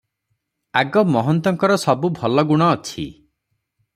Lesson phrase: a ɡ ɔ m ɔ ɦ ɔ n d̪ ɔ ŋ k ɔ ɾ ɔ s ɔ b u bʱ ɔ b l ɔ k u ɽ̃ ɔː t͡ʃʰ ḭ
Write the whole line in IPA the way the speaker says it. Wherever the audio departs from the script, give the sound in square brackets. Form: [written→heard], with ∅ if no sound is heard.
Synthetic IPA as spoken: a ɡ ɔ m ɔ ɦ ɔ n [d̪→t̪] ɔ ŋ k ɔ ɾ ɔ s ɔ b u bʱ ɔ [b→∅] l ɔ [k→ɡ] u ɽ̃ ɔː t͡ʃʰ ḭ

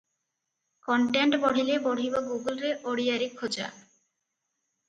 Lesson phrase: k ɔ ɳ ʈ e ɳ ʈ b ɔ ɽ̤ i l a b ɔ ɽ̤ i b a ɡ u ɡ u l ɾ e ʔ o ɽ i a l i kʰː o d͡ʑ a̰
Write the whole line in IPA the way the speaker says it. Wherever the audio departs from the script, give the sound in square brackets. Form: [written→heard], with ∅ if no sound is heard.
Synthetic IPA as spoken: k ɔ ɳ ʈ e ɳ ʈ b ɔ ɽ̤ i l [a→e] b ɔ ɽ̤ i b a ɡ u ɡ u l ɾ e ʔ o ɽ i a [l→ɾ] i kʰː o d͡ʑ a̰

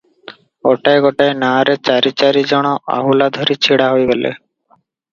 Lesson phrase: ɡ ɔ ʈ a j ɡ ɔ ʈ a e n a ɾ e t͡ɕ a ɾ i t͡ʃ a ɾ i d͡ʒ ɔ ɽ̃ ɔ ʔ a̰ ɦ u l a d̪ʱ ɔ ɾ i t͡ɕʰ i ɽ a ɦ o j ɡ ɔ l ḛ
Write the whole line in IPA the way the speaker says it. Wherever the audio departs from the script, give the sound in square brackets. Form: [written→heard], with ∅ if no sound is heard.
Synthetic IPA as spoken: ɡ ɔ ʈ a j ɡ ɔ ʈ a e n a ɾ e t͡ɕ a ɾ i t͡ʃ a ɾ i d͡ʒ ɔ ɽ̃ ɔ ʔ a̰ ɦ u l a d̪ʱ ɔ ɾ i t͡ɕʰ i ɽ a ɦ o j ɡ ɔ l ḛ

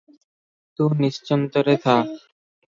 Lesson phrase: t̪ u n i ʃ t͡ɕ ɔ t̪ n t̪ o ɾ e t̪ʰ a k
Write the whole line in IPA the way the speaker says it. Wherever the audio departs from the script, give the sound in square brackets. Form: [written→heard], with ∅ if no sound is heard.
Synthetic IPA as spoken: t̪ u n i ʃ t͡ɕ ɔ [t̪→∅] n t̪ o ɾ e t̪ʰ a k

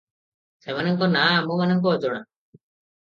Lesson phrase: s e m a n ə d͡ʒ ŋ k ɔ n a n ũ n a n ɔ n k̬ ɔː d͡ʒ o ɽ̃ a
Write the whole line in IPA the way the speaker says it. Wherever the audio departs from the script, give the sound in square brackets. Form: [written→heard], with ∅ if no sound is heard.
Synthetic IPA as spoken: s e m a n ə [d͡ʒ→∅] ŋ k ɔ n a [n→m] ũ [n→m] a n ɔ [n→ŋ] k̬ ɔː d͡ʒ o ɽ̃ a

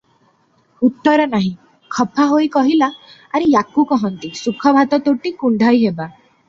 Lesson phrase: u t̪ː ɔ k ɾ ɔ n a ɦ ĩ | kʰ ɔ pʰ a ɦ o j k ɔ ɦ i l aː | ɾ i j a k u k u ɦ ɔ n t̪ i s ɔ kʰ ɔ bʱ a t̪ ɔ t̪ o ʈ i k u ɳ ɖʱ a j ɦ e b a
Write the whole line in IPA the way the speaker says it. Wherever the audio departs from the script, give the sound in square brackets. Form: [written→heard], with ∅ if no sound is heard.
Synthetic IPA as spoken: u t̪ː ɔ [k→∅] ɾ ɔ n a ɦ ĩ | kʰ ɔ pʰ a ɦ o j k ɔ ɦ i l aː | ɾ i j a k u k [u→ɔ] ɦ ɔ n t̪ i s [ɔ→u] kʰ ɔ bʱ a t̪ ɔ t̪ o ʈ i k u ɳ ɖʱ a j ɦ e b a

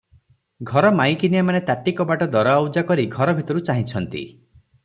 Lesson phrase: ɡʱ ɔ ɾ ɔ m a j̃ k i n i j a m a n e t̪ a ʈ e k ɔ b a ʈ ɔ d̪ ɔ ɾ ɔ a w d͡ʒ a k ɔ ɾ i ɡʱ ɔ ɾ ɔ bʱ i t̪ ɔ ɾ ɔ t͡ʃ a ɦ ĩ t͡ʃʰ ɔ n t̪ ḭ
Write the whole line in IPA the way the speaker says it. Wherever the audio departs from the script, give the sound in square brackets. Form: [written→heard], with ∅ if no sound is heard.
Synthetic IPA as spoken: ɡʱ ɔ ɾ ɔ m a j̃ k i n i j a m a n e t̪ a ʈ [e→i] k ɔ b a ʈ ɔ d̪ ɔ ɾ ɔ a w d͡ʒ a k ɔ ɾ i ɡʱ ɔ ɾ ɔ bʱ i t̪ ɔ ɾ [ɔ→u] t͡ʃ a ɦ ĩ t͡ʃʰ ɔ n t̪ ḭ

